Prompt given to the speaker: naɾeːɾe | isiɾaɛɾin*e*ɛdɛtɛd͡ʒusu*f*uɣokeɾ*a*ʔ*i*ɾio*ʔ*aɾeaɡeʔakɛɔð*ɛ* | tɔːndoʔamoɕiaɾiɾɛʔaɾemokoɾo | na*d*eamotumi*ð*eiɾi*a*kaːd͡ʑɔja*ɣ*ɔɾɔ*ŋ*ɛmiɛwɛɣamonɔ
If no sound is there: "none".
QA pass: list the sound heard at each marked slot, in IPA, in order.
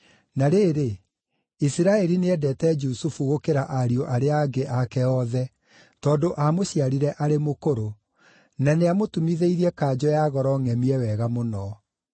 e, f, a, a, ʔ, ɛ, n, ð, ɛ, ɣ, ŋ

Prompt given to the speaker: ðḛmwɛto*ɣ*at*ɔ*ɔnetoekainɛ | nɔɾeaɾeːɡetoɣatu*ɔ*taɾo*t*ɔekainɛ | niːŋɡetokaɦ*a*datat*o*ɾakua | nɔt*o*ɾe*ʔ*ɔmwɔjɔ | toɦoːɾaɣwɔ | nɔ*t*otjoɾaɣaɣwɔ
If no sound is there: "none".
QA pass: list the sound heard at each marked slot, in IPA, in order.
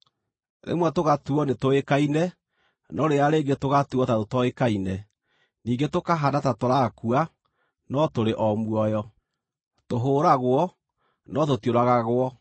ɣ, u, ɔ, t, a, o, o, ʔ, t

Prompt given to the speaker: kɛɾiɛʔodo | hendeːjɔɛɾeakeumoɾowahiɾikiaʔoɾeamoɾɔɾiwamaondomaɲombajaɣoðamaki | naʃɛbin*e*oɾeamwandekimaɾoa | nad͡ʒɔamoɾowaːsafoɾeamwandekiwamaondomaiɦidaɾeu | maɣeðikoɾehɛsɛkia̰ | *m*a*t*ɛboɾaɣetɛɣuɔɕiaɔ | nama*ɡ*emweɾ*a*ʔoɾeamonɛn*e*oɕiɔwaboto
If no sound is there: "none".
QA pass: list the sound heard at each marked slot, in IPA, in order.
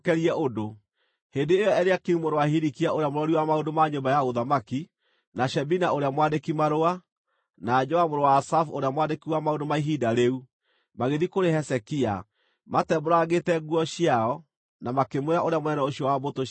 a, m, t, k, a, ɛ

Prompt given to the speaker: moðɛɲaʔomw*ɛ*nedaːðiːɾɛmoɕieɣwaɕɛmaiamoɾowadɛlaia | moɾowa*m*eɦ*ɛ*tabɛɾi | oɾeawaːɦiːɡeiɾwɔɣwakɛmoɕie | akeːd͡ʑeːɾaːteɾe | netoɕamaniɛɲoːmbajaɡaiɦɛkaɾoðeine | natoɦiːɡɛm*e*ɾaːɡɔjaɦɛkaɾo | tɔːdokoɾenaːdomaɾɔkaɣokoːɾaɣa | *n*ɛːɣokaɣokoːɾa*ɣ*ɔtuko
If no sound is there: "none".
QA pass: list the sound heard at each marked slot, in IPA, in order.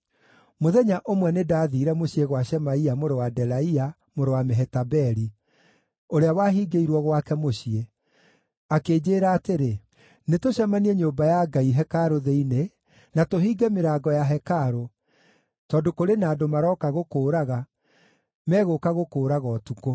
ɛ, m, ɛ, e, m, ɣ

